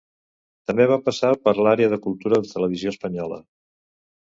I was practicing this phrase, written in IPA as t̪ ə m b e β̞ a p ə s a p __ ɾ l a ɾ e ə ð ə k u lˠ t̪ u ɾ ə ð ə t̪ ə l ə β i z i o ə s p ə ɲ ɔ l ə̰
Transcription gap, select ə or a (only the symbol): ə